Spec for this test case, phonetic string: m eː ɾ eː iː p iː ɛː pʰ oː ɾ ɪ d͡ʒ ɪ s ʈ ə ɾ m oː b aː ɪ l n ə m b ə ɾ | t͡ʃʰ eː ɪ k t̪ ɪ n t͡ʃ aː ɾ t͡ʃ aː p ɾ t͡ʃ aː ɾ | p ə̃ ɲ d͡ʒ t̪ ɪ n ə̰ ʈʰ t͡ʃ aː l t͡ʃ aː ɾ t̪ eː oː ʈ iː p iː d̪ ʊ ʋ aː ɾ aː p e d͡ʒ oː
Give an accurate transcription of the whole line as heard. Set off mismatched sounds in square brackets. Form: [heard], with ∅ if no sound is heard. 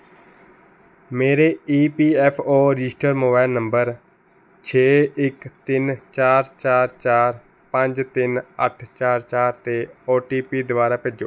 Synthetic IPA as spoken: m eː ɾ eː iː p iː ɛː pʰ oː ɾ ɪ d͡ʒ ɪ s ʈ ə ɾ m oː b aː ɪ l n ə m b ə ɾ | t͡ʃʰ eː ɪ k t̪ ɪ n t͡ʃ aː ɾ t͡ʃ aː [∅] ɾ t͡ʃ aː ɾ | p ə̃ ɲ d͡ʒ t̪ ɪ n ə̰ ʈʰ t͡ʃ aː [ɾ] t͡ʃ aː ɾ t̪ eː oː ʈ iː p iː d̪ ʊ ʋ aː ɾ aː p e d͡ʒ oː